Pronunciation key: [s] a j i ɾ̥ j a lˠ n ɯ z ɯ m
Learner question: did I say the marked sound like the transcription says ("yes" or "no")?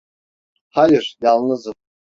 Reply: no